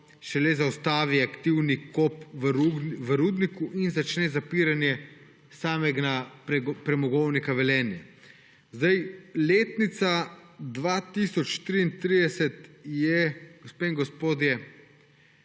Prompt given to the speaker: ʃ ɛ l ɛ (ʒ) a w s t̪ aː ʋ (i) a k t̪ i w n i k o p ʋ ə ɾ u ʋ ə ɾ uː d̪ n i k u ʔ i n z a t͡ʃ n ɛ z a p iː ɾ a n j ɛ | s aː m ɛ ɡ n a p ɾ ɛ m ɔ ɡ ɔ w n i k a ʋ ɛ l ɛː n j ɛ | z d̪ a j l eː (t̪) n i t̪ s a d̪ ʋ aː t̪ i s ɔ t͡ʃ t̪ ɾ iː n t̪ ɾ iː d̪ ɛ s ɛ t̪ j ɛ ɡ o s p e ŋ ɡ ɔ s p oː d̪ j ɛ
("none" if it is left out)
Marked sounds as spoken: z, i, t̪

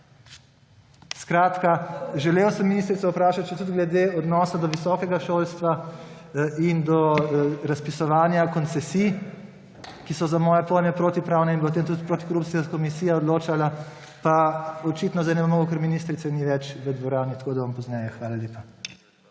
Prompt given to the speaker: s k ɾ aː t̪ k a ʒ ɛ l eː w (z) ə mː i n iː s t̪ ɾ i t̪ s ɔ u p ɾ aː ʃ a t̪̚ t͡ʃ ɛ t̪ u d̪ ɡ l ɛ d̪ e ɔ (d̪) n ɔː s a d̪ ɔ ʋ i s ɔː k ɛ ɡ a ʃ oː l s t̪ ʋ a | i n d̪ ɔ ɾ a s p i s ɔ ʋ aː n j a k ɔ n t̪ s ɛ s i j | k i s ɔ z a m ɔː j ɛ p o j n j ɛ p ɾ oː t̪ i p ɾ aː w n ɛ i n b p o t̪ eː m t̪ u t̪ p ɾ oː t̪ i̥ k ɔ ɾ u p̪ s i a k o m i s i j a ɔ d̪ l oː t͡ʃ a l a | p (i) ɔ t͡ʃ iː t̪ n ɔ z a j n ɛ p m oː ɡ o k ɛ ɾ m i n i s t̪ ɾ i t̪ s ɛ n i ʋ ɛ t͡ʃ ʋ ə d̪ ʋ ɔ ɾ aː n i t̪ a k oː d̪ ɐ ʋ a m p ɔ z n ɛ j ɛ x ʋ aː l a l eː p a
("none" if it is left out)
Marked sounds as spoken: s, d̪, a

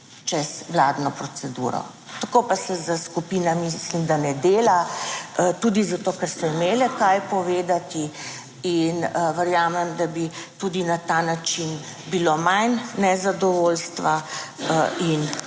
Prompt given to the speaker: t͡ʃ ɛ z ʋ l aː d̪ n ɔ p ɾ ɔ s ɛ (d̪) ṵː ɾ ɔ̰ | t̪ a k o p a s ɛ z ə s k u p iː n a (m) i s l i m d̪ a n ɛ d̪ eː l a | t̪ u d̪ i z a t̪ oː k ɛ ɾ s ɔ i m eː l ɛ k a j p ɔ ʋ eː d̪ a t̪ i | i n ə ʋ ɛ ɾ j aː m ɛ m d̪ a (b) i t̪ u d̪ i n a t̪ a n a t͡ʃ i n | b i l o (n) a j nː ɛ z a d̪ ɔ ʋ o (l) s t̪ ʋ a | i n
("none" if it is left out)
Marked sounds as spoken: d̪, m, b, m, l

